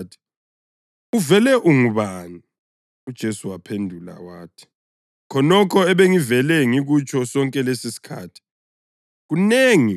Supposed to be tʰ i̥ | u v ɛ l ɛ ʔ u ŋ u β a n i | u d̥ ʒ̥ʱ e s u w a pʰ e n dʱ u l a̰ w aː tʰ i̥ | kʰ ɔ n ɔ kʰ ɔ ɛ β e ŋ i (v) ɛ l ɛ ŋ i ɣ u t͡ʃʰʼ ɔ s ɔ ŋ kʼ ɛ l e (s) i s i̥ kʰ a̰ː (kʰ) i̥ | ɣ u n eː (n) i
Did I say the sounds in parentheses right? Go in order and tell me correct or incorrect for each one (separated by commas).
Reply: correct, correct, incorrect, incorrect